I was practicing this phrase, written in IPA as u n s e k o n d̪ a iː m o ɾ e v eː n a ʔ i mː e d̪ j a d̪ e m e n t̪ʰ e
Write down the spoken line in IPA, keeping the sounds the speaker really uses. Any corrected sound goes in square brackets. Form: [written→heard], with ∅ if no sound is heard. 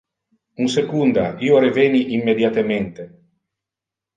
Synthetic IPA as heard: u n s e k [o→u] n d̪ a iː [m→∅] o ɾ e v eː n [a→i] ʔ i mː e d̪ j a [d̪→t̪] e m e n [t̪ʰ→t̪] e